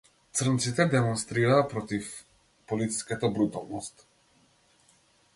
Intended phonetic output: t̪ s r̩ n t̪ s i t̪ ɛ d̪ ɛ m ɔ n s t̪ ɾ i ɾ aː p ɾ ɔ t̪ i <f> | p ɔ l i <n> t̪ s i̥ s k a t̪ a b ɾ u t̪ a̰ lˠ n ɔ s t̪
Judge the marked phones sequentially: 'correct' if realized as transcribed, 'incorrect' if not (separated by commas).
correct, incorrect